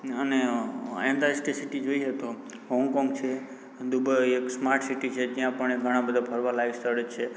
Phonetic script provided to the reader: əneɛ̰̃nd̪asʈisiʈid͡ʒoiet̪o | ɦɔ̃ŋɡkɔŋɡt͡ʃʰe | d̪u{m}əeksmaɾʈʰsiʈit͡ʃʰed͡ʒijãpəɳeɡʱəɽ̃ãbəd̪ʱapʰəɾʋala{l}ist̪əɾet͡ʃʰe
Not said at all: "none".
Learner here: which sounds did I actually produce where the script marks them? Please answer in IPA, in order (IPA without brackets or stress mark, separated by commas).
b, none